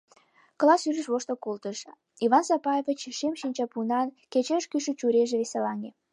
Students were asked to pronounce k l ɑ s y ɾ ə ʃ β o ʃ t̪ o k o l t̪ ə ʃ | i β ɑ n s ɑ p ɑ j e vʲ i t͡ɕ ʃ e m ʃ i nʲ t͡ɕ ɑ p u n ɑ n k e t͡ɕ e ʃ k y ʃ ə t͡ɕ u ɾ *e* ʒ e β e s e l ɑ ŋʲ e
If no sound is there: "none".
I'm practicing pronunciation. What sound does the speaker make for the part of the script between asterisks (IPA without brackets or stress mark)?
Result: e